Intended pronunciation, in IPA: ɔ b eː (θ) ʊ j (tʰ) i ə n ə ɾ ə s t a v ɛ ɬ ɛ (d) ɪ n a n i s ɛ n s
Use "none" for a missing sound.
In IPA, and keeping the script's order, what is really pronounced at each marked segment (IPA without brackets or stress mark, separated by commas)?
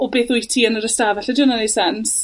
θ, tʰ, d